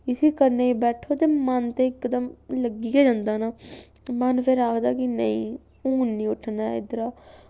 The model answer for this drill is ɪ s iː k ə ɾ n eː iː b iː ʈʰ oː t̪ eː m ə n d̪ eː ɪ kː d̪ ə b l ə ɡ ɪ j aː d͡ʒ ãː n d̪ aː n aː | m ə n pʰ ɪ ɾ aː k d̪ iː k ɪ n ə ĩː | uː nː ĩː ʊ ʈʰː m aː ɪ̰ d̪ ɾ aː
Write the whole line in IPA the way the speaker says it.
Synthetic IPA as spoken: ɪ s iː k ə ɾ n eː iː b ɛː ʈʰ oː t̪ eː m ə n t̪ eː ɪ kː d̪ ə m l ə ɡ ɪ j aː d͡ʒ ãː n d̪ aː n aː | m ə n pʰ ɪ ɾ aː k d̪ aː k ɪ n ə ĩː | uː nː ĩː ʊ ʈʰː n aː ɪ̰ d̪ ɾ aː